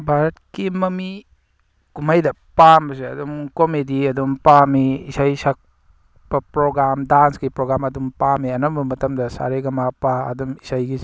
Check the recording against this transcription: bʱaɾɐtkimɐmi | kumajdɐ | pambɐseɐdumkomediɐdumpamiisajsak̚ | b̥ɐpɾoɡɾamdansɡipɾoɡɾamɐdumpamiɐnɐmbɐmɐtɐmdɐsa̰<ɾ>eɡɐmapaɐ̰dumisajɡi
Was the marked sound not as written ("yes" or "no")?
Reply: no